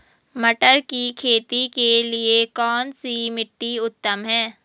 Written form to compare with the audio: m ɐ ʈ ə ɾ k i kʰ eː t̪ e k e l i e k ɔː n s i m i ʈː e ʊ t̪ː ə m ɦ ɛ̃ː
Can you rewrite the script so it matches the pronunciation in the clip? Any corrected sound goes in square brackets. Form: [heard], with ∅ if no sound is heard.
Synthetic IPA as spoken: m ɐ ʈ ə ɾ k i kʰ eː t̪ [i] k e l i e k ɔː n s i m [ɪ] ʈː [i] ʊ t̪ː ə m ɦ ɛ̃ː